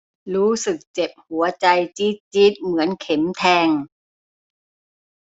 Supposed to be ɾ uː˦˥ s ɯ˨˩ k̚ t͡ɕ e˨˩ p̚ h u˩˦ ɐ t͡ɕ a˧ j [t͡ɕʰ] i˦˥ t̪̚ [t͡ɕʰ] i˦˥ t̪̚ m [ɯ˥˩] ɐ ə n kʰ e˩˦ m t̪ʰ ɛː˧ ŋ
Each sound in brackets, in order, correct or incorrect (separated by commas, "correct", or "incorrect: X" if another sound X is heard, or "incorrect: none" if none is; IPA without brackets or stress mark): incorrect: t͡ɕ, incorrect: t͡ɕ, incorrect: ɯ˩˦